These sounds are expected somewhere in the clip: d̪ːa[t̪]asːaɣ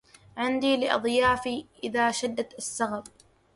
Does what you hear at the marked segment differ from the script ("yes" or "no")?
no